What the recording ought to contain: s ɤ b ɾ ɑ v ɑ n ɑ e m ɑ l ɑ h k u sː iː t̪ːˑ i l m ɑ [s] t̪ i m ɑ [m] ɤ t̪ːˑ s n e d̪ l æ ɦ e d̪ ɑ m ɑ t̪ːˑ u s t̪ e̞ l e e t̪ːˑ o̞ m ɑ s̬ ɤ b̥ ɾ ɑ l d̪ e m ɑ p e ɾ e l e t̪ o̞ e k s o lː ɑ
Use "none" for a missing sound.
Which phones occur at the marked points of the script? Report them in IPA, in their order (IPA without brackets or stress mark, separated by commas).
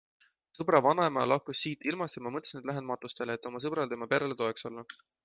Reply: s, m